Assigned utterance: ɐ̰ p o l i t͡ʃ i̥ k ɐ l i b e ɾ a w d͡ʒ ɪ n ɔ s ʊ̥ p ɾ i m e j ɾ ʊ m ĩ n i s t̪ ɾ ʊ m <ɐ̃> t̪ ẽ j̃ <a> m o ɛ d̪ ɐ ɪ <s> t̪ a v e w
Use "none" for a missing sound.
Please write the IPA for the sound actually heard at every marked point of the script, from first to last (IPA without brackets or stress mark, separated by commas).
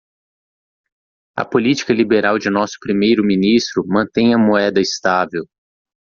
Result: ɐ̃, ɐ, s